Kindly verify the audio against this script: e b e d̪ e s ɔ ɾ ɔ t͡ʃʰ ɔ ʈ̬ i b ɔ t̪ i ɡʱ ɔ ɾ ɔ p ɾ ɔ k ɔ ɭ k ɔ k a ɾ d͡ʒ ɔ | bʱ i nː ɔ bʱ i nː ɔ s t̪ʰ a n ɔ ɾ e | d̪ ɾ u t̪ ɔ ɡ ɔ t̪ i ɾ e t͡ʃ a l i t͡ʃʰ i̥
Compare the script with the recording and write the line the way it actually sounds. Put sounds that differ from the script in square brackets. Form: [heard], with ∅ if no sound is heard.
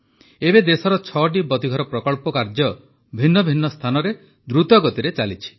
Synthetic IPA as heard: e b e d̪ e s ɔ ɾ ɔ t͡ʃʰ ɔ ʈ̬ i b ɔ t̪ i ɡʱ ɔ ɾ ɔ p ɾ ɔ k ɔ ɭ [p] ɔ k a ɾ d͡ʒ ɔ | bʱ i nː ɔ bʱ i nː ɔ s t̪ʰ a n ɔ ɾ e | d̪ ɾ u t̪ ɔ ɡ ɔ t̪ i ɾ e t͡ʃ a l i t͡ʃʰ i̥

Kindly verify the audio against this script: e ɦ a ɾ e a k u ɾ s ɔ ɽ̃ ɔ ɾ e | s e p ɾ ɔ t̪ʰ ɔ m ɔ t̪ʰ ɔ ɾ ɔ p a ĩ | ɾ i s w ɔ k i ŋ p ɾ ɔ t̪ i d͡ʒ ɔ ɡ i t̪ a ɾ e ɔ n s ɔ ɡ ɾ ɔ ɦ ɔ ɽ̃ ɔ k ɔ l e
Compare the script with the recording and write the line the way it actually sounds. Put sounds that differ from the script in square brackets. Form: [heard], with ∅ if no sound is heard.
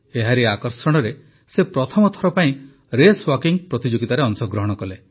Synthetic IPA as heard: e ɦ a ɾ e a k [ɔ] ɾ s ɔ ɽ̃ ɔ ɾ e | s e p ɾ ɔ t̪ʰ ɔ m ɔ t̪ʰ ɔ ɾ ɔ p a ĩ | ɾ [e] s w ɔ k i ŋ p ɾ ɔ t̪ i d͡ʒ [o] ɡ i t̪ a ɾ e ɔ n s ɔ ɡ ɾ ɔ ɦ ɔ ɽ̃ ɔ k ɔ l e

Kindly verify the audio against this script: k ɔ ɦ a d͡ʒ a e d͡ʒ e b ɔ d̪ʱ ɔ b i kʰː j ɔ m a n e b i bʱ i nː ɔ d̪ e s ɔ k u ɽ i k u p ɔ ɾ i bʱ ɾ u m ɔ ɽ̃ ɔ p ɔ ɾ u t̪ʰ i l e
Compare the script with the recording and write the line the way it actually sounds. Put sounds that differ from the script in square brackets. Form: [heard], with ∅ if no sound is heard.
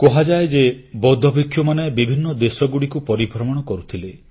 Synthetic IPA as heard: k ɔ ɦ a d͡ʒ a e d͡ʒ e b ɔ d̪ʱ ɔ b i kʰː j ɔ m a n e b i bʱ i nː ɔ d̪ e s ɔ [ɡ] u ɽ i k u p ɔ ɾ i bʱ ɾ [ɔ] m ɔ ɽ̃ ɔ [k] ɔ ɾ u t̪ʰ i l e

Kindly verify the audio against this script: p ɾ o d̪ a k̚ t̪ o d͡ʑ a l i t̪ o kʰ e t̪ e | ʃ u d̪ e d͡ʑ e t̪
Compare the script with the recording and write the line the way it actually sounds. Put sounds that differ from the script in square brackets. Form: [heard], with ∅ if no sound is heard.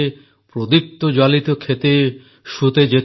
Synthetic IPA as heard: p ɾ o d̪ [i] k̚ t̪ o d͡ʑ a l i t̪ o kʰ e t̪ e | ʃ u [t̪] e d͡ʑ e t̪

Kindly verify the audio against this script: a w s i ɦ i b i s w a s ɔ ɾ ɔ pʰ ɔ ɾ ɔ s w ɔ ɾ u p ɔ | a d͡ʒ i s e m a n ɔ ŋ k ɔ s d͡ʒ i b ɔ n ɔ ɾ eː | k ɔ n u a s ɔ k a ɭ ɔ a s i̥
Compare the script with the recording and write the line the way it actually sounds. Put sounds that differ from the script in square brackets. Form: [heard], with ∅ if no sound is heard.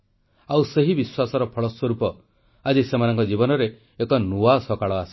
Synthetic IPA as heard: a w s [e] ɦ i b i s w a s ɔ ɾ ɔ pʰ ɔ [ɭ] ɔ s w ɔ ɾ u p ɔ | a d͡ʒ i s e m a n ɔ ŋ k ɔ [∅] d͡ʒ i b ɔ n ɔ ɾ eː | k ɔ n u a s ɔ k a ɭ ɔ a s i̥

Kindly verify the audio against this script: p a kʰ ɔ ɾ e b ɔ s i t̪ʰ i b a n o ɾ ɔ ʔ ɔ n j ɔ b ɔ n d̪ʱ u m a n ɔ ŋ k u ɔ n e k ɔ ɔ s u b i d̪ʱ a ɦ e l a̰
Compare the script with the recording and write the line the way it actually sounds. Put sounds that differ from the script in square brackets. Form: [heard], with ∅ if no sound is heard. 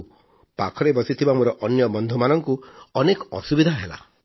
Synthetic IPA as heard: p a kʰ ɔ ɾ e b ɔ s i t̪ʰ i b a [m] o ɾ ɔ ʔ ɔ n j ɔ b ɔ n d̪ʱ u m a n ɔ ŋ k u ɔ n e k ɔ ɔ s u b i d̪ʱ a ɦ e l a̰

